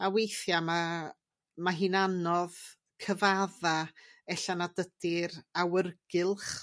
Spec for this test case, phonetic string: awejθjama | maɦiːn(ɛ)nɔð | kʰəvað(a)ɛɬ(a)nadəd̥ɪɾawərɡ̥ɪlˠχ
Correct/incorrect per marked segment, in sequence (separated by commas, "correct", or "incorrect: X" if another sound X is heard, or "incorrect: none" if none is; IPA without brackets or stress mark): incorrect: a, correct, correct